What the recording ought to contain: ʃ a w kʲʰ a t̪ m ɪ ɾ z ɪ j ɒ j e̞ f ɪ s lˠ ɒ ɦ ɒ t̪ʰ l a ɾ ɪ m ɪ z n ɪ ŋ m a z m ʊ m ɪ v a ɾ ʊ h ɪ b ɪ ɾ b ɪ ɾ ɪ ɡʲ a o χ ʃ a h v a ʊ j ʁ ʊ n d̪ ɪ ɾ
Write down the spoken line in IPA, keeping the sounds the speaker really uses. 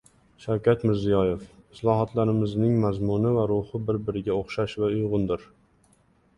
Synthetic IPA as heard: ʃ a w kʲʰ a t̪ m ɪ ɾ z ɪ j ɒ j e̞ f ɪ s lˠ ɒ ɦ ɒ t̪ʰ l a ɾ ɪ m ɪ z n ɪ ŋ m a z m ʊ n ɪ v a ɾ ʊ h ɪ b ɪ ɾ b ɪ ɾ ɪ ɡʲ a o χ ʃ a ʃ v a ʊ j ʁ ʊ n d̪ ɪ ɾ